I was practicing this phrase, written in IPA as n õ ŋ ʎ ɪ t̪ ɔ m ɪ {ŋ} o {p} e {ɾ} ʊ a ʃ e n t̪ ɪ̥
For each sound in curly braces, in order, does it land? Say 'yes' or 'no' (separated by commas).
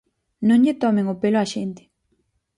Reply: yes, yes, no